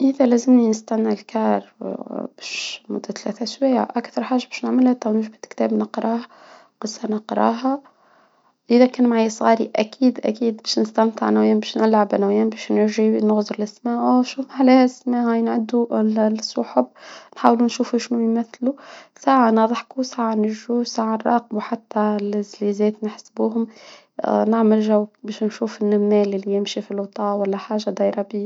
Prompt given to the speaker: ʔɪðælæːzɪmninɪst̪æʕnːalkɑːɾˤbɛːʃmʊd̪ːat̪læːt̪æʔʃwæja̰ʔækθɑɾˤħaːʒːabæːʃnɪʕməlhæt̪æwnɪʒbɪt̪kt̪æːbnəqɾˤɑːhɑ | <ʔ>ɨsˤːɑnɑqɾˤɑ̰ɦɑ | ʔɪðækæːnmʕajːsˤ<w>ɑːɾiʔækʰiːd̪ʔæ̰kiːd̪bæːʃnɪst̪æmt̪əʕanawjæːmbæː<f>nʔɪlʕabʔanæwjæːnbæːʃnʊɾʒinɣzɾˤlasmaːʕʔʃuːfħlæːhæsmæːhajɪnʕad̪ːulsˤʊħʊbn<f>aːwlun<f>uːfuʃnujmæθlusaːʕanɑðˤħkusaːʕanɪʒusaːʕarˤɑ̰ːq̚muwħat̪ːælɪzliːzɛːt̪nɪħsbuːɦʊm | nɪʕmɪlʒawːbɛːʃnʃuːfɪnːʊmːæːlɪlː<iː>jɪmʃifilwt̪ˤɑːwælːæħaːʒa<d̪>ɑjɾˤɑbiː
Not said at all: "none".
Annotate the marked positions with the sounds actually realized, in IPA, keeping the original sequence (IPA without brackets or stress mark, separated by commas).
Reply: q, ɣ, ʃ, ħ, ʃ, i, d̪